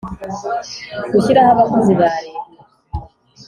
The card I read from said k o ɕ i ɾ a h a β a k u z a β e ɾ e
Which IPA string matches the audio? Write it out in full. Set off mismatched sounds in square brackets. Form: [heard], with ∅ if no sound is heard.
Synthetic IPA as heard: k [u] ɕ i ɾ a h a β a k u z [i] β [a] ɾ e